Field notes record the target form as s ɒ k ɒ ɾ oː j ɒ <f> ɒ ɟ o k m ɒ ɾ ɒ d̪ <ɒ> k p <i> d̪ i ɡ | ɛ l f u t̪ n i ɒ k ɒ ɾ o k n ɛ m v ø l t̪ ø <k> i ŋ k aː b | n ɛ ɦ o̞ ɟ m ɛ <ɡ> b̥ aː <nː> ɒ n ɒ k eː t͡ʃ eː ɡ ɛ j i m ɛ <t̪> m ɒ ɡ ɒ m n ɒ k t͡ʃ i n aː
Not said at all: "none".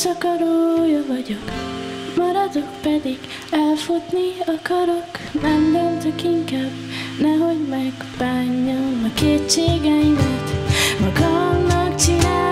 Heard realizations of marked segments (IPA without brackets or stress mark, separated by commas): v, o, ɛ, k, ɡ, ɲː, t̪